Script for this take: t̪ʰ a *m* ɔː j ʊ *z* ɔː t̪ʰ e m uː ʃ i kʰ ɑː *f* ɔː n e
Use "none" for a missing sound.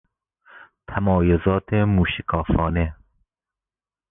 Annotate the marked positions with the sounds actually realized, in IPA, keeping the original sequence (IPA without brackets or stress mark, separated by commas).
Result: m, z, f